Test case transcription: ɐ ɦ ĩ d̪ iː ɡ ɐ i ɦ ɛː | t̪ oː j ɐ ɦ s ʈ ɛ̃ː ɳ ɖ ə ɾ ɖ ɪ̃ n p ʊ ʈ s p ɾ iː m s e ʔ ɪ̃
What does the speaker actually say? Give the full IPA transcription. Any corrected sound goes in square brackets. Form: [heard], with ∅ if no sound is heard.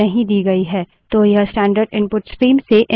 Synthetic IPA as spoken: ɐ ɦ ĩ d̪ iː ɡ ɐ i ɦ ɛː | t̪ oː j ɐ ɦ s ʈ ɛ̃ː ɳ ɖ ə ɾ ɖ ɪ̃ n p ʊ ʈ s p ɾ iː m s e ʔ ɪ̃